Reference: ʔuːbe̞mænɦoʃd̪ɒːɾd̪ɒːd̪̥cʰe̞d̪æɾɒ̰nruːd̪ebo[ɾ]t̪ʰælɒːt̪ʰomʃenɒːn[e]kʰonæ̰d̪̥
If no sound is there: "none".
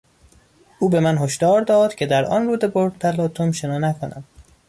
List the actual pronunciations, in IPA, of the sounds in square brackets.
ɾ, æ

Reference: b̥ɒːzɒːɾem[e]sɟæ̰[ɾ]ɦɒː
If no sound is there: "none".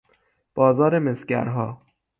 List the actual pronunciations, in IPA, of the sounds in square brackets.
e, ɾ

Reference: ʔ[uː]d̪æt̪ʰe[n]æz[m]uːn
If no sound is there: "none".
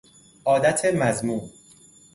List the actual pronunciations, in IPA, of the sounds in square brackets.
ɒː, m, m

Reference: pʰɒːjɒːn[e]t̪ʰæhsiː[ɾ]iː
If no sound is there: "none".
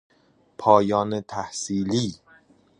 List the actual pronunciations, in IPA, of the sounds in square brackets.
e, l

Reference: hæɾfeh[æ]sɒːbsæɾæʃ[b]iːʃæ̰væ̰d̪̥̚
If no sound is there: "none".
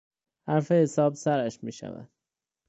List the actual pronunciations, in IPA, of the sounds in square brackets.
e, m

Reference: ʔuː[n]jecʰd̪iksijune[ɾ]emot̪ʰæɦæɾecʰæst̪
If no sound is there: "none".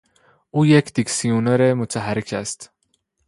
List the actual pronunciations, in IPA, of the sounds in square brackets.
none, ɾ

